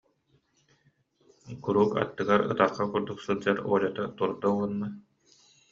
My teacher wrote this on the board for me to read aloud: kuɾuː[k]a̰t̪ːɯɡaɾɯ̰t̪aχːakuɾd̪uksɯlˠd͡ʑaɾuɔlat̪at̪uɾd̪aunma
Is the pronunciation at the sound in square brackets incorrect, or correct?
correct